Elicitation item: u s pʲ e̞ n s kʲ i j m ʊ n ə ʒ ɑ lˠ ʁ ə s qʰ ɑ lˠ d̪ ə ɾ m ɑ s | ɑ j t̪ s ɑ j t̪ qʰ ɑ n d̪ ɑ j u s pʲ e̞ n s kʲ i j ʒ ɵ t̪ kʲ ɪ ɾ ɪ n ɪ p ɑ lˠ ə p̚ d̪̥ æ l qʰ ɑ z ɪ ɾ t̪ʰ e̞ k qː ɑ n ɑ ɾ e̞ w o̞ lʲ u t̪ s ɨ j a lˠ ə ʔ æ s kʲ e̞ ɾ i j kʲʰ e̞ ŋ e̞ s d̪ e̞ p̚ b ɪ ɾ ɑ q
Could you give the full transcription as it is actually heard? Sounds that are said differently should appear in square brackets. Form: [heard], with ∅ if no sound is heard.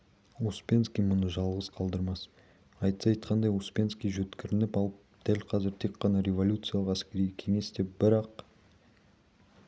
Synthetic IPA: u s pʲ e̞ n s kʲ i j m ʊ n ə ʒ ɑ lˠ ʁ ə [z] qʰ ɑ lˠ d̪ ə ɾ m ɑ s | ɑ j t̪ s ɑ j t̪ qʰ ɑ n d̪ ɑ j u s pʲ e̞ n s kʲ i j ʒ ɵ t̪ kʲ ɪ ɾ ɪ n ɪ p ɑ lˠ ə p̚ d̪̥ æ l qʰ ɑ z ɪ ɾ t̪ʰ e̞ k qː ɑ n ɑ ɾ e̞ [v] o̞ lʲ u t̪ s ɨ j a lˠ ə [q] æ s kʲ e̞ ɾ i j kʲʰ e̞ ŋ e̞ s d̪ e̞ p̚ b ɪ ɾ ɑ q